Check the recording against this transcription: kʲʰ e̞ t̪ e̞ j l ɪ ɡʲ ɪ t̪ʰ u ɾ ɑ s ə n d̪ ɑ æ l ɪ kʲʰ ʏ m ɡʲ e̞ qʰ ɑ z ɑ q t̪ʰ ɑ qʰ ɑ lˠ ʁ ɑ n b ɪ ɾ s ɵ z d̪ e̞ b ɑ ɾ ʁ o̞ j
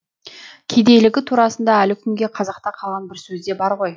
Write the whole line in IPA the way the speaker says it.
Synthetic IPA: kʲʰ e̞ d̪ e̞ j l ɪ ɡʲ ɪ t̪ʰ u ɾ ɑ s ə n d̪ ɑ æ l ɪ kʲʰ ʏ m ɡʲ e̞ qʰ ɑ z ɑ q t̪ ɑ qʰ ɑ lˠ ʁ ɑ n b ɪ ɾ s ɵ z d̪ e̞ b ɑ ɾ ʁ o̞ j